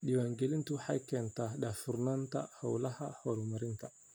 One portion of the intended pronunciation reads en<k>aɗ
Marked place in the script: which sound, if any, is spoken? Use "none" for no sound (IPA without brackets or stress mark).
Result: t